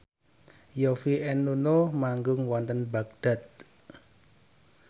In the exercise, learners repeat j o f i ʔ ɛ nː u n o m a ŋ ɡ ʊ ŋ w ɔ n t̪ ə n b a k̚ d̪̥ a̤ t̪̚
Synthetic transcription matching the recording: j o f i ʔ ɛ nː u n o m a ŋ ɡ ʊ ŋ w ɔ n t̪ ə n b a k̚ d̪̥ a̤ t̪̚